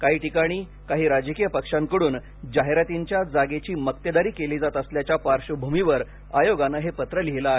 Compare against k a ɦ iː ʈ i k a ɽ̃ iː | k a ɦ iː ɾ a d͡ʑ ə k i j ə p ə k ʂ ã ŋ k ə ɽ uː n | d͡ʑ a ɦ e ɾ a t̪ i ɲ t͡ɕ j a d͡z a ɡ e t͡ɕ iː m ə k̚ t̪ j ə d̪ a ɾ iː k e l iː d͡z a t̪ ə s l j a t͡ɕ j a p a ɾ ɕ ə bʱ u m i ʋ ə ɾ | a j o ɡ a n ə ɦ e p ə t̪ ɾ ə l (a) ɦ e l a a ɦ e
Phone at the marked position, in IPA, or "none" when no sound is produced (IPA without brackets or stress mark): i